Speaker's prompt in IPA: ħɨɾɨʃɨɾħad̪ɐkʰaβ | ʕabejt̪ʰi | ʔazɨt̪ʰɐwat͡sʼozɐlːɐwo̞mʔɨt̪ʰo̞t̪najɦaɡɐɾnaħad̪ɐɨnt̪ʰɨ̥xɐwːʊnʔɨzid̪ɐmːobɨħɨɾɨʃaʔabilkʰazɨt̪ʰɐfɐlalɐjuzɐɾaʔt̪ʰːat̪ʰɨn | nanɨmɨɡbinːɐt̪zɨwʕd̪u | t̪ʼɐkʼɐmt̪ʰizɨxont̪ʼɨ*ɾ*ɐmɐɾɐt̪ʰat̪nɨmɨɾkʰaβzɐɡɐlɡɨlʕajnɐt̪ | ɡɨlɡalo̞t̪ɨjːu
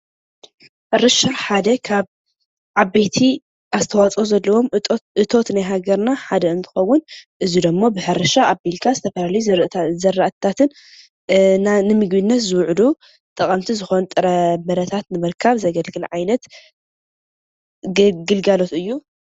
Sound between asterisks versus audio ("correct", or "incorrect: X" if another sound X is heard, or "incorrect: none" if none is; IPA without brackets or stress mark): correct